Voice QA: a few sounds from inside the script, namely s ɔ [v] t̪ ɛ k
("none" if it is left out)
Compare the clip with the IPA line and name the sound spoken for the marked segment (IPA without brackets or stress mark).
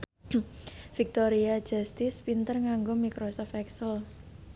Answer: f